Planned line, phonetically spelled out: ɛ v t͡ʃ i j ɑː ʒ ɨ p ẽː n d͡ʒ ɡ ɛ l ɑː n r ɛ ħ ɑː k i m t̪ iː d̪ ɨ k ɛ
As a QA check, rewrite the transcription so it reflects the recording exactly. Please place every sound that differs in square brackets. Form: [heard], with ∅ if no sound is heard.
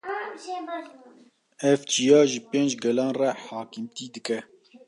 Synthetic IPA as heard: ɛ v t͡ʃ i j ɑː ʒ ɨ p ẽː n d͡ʒ ɡ ɛ l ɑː n r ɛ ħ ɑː k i m t̪ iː d̪ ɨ k ɛ